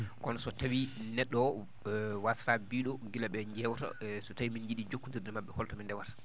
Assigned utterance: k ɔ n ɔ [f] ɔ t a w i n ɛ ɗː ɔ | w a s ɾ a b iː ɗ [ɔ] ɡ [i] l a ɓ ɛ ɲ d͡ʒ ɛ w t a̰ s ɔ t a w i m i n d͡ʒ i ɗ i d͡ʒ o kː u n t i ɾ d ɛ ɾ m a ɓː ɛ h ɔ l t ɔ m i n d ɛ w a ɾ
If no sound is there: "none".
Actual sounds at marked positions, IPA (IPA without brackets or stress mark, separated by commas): s, ɔ, i